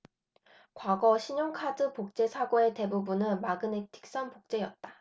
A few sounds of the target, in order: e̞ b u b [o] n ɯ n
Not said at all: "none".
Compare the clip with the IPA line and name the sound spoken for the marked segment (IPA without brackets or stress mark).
u